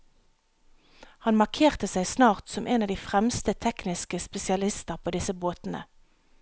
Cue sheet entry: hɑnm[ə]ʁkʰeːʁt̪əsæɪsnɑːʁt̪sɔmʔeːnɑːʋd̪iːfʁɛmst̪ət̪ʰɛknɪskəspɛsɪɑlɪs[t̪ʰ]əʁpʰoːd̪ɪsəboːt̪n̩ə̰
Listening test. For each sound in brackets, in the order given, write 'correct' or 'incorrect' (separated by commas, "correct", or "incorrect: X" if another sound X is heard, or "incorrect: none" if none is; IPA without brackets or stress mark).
incorrect: ɑ, incorrect: t̪